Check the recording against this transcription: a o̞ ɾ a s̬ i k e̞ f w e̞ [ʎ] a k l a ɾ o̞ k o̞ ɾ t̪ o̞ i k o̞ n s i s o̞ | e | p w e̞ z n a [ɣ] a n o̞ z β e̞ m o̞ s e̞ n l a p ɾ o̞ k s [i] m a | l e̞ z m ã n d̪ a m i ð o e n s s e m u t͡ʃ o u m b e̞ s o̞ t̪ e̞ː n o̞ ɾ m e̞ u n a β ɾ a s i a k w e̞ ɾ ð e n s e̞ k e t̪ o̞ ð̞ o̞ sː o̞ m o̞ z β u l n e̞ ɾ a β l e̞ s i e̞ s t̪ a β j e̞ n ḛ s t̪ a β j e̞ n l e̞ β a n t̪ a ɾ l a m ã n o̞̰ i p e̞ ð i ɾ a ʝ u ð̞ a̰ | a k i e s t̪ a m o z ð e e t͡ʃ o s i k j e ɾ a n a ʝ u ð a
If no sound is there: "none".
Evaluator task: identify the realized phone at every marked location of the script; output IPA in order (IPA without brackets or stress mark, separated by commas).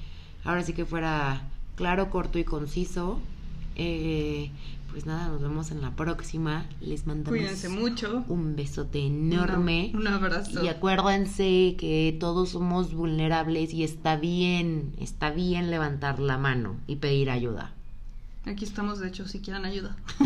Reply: ɾ, ð, i